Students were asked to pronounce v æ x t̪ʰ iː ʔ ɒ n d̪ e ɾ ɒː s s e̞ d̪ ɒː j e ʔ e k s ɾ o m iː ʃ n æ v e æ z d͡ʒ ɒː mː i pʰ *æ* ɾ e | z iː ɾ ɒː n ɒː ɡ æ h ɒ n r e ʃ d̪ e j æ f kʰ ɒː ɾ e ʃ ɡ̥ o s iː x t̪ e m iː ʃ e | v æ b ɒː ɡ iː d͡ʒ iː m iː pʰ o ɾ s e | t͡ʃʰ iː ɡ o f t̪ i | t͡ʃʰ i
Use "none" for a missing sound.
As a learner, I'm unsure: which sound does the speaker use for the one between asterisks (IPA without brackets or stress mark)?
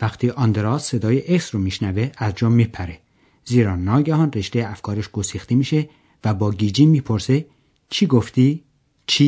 æ